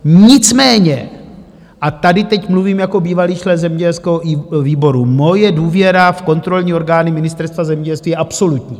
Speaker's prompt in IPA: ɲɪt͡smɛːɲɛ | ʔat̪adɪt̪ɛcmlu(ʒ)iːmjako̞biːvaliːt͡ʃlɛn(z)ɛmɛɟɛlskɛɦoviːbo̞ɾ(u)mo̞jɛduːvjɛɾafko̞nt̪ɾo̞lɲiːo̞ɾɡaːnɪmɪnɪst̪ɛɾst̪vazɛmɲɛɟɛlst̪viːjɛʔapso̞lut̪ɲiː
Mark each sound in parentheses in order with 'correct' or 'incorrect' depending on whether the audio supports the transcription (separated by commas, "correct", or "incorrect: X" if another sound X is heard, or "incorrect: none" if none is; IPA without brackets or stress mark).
incorrect: v, correct, correct